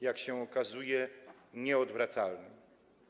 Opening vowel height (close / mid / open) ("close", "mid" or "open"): open